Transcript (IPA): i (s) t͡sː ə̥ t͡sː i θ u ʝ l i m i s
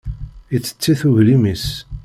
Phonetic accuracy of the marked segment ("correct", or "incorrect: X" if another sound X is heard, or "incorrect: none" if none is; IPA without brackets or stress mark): incorrect: none